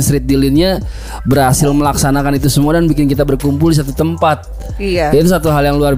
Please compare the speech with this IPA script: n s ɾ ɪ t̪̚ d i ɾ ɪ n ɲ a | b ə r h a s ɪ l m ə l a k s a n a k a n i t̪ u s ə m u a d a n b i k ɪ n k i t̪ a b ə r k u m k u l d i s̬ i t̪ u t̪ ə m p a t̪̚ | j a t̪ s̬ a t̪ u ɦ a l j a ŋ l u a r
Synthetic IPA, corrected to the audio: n s ɾ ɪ t̪̚ d i l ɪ n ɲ a | b ə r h a s ɪ l m ə l a k s a n a k a n i t̪ u s ə m u a d a n b i k ɪ n k i t̪ a b ə r k u m p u l d i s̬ a t̪ u t̪ ə m p a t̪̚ | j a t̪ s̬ a t̪ u ɦ a l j a ŋ l u a r